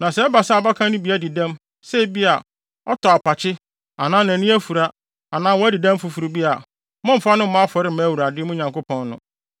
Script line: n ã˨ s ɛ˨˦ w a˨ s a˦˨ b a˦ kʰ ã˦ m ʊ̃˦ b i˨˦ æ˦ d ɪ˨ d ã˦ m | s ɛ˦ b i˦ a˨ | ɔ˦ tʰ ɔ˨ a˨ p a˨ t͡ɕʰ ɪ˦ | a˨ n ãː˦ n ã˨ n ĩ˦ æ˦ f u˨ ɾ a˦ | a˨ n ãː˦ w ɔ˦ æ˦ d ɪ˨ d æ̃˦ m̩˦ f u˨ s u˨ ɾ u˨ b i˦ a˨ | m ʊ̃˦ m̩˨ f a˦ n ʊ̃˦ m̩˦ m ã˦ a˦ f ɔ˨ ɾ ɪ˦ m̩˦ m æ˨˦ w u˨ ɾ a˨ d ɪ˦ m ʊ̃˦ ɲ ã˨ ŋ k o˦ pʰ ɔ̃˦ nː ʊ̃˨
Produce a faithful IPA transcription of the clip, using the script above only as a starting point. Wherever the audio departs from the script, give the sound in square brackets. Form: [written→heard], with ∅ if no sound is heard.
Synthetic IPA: n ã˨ s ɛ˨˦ [w→b] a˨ s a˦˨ b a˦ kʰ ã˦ [m→n] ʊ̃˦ b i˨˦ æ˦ d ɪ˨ d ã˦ m | s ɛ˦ b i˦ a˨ | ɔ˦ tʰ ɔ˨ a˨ p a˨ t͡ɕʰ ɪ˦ | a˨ n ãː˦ n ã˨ n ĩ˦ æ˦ f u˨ ɾ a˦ | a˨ n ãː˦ w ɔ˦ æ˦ d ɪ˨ d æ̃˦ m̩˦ f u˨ [s→f] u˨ ɾ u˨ b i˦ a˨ | m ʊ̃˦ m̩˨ f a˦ n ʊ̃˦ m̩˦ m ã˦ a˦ f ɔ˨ ɾ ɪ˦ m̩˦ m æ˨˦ w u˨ ɾ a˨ d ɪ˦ m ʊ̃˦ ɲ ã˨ ŋ k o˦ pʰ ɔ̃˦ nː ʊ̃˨